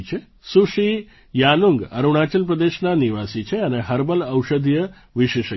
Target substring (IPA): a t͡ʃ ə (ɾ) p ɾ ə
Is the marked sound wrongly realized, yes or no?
yes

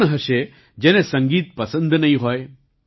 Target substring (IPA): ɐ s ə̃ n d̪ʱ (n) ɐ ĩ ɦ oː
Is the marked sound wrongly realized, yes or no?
no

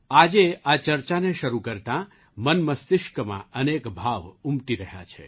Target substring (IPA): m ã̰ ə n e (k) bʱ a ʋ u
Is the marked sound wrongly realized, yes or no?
no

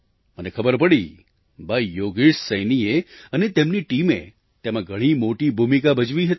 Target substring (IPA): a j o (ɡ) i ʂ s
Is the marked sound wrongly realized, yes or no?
no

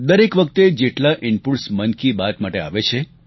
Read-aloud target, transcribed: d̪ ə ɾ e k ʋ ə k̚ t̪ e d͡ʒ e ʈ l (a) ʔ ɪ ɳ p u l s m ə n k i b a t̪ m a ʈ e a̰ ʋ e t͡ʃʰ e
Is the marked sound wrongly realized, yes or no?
no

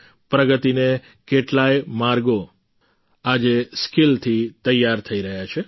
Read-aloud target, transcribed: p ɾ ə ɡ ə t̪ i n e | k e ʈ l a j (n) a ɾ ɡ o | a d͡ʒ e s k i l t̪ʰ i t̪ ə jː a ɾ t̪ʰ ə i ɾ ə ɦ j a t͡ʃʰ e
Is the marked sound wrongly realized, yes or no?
yes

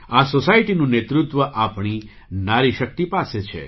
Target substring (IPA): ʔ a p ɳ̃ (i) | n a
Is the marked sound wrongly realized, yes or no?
no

